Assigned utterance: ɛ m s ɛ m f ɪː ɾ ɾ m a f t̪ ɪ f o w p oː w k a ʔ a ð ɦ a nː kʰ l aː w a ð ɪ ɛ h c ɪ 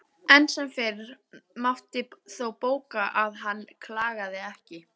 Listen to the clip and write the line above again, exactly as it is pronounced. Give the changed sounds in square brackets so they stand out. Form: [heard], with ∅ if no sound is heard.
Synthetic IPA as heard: ɛ [n] s ɛ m f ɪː ɾ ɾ m a f t̪ ɪ [θ] o w p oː w k a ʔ a ð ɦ a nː kʰ l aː [ɣ] a ð ɪ ɛ h c ɪ